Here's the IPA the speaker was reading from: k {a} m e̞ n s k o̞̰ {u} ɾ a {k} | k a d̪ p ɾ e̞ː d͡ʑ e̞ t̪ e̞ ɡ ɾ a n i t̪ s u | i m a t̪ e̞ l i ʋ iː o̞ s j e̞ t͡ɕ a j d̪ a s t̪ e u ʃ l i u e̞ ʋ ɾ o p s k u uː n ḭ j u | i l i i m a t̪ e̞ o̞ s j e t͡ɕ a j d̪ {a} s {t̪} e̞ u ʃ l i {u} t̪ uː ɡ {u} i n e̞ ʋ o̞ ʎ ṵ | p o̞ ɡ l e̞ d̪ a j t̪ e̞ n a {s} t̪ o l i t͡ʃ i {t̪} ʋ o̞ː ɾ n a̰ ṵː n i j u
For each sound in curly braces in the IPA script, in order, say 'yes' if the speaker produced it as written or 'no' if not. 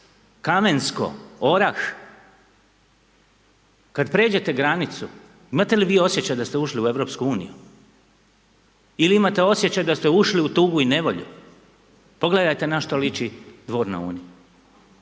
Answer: yes, no, no, yes, yes, yes, yes, no, no

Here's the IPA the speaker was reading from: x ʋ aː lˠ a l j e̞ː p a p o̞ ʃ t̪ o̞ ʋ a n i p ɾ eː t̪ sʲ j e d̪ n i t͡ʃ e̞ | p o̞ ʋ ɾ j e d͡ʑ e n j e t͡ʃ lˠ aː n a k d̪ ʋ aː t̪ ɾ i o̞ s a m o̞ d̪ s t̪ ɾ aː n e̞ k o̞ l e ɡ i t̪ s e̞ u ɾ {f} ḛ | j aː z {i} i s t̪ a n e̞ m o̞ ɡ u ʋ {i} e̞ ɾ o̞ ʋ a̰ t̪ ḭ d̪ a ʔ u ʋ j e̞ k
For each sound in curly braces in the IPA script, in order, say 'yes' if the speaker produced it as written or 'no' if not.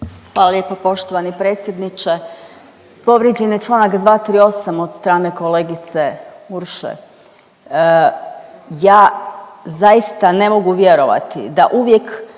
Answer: no, no, no

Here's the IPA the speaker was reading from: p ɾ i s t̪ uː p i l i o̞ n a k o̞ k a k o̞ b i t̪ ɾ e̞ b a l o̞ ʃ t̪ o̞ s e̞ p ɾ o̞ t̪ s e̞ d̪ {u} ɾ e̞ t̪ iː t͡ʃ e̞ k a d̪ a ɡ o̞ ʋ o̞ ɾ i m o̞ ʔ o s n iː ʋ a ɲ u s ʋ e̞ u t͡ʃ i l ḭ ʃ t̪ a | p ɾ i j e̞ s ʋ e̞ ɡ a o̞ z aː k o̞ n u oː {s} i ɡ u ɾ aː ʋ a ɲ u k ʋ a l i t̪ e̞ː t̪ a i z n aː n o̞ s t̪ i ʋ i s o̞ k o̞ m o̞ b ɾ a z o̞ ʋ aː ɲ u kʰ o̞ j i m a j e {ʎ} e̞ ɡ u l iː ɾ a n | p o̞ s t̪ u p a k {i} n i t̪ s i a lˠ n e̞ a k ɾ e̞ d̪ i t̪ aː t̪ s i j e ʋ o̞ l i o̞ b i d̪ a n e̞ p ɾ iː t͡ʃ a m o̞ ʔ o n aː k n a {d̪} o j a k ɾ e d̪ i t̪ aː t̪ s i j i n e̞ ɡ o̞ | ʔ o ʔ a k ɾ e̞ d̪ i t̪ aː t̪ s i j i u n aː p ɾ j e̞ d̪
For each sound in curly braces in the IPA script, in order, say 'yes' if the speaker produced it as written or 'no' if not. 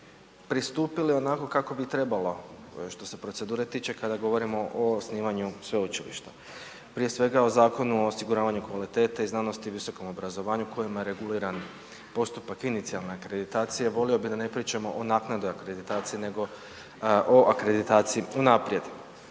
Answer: no, yes, no, yes, yes

